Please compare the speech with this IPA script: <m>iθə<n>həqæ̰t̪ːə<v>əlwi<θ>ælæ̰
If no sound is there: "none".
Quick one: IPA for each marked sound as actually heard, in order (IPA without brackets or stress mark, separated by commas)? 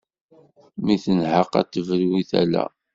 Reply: m, n, v, θ